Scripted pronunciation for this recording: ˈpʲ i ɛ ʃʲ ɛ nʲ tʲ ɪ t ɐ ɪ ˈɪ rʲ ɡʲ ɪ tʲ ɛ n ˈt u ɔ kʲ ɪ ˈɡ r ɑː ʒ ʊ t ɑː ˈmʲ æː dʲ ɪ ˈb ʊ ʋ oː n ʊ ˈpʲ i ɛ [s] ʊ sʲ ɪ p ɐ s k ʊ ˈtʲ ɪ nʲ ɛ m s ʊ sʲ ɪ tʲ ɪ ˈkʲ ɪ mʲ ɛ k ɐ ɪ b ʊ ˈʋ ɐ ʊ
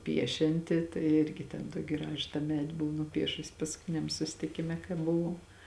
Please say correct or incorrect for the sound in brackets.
incorrect